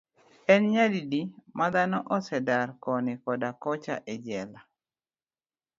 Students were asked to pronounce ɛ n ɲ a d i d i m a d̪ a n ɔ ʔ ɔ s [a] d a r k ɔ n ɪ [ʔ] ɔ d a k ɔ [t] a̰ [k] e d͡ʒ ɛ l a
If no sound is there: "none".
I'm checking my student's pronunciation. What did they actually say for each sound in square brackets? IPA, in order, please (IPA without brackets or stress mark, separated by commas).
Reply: ɛ, k, t͡ʃ, ʔ